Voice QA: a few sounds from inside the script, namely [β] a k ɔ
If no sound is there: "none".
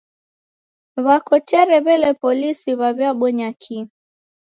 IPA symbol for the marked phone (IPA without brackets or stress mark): β